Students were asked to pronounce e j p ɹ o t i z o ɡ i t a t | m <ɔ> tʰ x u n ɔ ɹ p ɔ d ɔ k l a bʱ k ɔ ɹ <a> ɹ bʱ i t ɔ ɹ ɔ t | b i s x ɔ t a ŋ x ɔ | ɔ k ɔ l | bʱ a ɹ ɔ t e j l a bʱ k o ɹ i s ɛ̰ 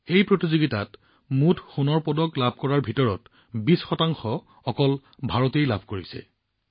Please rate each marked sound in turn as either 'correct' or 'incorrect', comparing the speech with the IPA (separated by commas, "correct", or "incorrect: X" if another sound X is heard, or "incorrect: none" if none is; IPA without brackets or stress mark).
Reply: incorrect: u, correct